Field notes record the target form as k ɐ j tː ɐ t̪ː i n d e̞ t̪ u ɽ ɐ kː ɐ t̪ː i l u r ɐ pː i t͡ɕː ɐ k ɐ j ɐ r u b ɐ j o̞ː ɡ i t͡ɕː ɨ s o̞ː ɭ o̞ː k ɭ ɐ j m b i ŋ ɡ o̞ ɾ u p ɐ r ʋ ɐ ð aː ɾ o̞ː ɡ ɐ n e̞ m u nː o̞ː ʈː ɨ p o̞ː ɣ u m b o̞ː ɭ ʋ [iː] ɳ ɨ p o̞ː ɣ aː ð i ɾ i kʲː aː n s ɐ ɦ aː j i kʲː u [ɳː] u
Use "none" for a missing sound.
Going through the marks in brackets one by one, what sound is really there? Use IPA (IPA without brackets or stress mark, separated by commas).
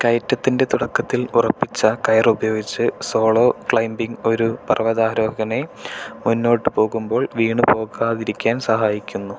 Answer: iː, nː